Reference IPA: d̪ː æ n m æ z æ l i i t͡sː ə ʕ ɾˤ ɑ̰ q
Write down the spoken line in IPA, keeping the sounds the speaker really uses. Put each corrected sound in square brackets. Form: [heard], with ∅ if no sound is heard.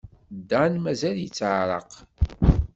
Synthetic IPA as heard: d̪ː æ n m æ z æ l [j] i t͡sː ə ʕ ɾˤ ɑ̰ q